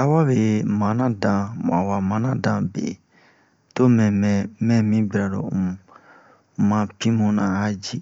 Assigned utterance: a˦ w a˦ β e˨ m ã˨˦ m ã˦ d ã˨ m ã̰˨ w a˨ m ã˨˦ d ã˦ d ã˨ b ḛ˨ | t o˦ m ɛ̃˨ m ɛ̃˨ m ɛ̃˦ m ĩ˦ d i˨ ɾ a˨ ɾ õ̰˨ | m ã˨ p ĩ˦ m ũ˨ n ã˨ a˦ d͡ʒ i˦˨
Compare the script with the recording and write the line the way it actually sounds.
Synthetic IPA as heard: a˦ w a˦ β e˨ m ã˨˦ n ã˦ d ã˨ m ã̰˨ w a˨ m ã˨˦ n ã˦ d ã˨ b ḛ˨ | t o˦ m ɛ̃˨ m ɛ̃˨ m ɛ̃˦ m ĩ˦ b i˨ ɾ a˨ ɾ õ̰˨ | m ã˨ p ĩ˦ m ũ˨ n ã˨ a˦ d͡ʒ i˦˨